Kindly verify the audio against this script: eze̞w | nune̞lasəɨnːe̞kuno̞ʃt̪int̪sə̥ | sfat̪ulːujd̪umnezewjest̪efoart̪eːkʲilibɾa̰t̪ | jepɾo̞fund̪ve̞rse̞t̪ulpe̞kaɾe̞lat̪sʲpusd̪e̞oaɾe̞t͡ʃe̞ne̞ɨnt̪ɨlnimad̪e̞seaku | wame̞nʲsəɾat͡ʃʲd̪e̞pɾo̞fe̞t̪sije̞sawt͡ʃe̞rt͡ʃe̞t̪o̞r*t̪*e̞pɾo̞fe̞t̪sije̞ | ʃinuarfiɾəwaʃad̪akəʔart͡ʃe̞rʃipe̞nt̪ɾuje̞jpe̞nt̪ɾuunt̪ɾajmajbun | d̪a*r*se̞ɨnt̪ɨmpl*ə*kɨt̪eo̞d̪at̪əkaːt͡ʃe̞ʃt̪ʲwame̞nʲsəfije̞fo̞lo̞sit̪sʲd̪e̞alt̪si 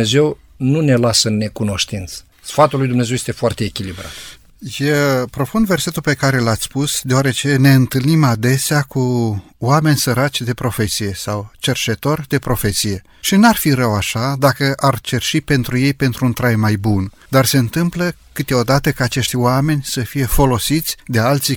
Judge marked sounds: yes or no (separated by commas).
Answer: no, yes, yes